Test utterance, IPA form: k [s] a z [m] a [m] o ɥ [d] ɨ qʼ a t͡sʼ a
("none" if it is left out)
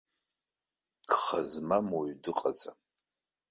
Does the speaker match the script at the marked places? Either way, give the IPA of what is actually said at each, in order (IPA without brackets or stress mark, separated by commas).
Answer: χ, m, m, d